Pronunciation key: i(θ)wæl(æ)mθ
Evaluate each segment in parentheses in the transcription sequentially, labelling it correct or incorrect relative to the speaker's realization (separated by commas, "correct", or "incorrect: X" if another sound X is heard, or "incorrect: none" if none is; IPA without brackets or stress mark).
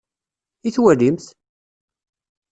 correct, incorrect: i